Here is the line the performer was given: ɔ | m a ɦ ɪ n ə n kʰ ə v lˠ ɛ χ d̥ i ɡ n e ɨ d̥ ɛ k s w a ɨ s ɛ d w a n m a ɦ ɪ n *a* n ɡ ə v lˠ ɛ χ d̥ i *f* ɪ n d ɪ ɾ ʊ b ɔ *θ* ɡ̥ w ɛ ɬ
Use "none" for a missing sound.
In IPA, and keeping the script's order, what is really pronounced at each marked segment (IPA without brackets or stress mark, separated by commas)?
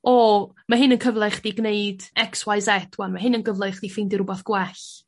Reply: ə, f, θ